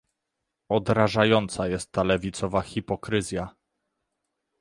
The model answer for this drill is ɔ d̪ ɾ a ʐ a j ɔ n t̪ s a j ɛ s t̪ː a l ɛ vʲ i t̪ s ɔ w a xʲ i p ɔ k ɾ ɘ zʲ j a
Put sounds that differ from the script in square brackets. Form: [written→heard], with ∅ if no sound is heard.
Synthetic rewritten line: ɔ d̪ ɾ a ʐ a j ɔ n t̪ s a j ɛ s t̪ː a l ɛ vʲ i t̪ s ɔ [w→v] a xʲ i p ɔ k ɾ ɘ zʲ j a